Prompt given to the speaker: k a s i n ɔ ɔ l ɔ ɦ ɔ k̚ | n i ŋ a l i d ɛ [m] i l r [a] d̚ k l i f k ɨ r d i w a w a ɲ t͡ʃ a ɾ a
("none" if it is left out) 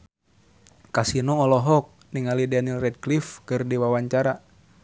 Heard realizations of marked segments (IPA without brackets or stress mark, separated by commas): n, ɛ